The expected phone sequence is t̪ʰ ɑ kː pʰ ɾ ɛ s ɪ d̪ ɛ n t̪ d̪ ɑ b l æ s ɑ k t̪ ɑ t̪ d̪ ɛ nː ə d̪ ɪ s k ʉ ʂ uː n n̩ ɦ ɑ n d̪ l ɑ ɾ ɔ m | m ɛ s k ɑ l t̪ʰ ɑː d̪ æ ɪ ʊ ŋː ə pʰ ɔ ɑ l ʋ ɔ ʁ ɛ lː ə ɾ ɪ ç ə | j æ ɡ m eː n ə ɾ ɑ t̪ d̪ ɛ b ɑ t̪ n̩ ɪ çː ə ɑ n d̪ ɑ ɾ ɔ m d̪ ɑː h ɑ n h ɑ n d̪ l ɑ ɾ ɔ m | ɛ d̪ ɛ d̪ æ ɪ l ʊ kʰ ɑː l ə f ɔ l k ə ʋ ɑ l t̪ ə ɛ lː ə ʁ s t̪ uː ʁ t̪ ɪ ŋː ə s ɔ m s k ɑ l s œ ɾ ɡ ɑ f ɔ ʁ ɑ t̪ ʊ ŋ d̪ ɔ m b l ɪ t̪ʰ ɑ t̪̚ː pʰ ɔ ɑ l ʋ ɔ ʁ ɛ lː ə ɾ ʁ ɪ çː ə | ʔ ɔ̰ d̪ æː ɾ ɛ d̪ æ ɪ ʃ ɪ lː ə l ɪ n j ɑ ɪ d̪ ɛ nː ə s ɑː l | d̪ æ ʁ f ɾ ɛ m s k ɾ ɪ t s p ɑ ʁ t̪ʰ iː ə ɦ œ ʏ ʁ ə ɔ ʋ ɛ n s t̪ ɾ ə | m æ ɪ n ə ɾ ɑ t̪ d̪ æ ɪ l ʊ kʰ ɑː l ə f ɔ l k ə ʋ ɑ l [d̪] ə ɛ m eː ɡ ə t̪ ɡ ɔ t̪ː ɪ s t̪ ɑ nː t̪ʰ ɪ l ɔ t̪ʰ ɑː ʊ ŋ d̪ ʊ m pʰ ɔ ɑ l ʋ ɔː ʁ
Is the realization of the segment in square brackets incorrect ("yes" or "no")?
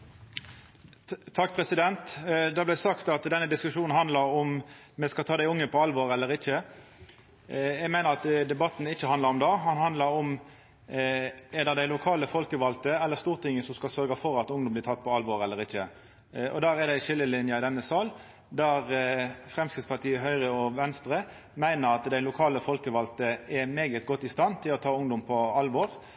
yes